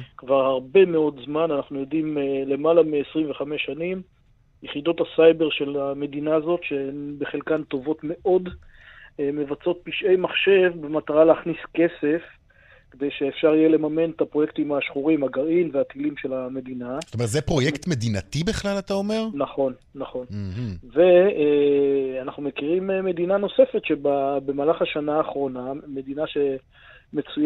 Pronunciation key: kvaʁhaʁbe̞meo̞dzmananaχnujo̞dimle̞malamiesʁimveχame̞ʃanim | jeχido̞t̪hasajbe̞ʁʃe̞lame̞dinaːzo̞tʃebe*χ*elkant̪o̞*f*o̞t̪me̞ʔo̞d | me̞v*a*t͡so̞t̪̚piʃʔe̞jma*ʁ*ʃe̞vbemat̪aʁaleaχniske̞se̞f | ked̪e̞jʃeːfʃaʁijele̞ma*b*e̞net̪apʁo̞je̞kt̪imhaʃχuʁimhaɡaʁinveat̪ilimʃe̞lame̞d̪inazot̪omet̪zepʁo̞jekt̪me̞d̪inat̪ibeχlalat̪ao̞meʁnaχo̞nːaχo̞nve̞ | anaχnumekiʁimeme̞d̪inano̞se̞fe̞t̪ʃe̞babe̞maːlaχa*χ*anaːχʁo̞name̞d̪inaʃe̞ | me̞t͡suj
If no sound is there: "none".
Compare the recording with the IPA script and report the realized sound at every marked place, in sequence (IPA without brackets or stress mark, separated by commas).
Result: χ, v, a, χ, m, ʃ